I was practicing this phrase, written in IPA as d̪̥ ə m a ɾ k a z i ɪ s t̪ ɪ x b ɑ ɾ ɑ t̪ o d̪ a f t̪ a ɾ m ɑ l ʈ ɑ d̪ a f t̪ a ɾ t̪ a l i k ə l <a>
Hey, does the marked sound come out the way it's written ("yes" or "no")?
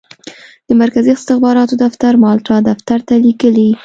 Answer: no